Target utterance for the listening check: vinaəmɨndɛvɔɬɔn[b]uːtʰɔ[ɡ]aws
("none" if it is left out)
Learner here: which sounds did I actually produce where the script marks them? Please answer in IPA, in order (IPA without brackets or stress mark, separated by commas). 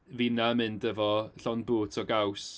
b, ɡ